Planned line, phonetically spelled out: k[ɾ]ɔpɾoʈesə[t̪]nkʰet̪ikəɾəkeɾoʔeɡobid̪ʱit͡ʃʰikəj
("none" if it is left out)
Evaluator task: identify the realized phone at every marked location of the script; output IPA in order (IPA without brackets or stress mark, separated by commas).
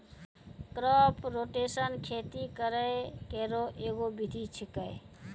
ɾ, none